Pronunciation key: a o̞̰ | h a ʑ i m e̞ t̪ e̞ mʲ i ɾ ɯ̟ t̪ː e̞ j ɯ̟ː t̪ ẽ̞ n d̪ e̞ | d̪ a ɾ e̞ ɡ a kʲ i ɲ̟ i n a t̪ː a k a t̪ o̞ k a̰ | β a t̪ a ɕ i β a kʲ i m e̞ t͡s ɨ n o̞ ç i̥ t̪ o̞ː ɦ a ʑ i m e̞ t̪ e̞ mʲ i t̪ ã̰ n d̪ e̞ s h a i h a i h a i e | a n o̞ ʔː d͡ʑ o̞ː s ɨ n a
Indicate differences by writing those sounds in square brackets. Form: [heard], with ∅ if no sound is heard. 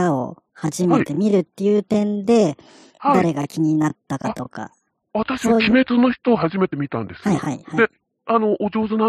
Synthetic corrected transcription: a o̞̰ | h a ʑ i m e̞ t̪ e̞ mʲ i ɾ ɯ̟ t̪ː e̞ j ɯ̟ː t̪ ẽ̞ n d̪ e̞ | d̪ a ɾ e̞ ɡ a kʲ i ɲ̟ i n a t̪ː a k a t̪ o̞ k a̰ | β a t̪ a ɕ i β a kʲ i m e̞ t͡s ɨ n o̞ ç i̥ t̪ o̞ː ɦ a ʑ i m e̞ t̪ e̞ mʲ i t̪ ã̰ n d̪ e̞ s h a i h a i h a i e | a n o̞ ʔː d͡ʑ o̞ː [z] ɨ n a